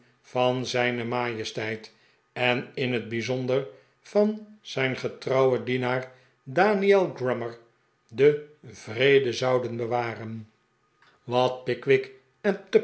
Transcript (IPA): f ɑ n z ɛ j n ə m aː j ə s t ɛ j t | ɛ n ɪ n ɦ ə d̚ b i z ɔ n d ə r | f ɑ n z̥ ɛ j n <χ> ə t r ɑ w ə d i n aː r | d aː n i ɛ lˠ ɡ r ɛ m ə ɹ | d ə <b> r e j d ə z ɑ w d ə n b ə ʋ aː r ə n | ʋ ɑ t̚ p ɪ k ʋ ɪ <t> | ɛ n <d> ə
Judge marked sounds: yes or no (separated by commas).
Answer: yes, no, no, no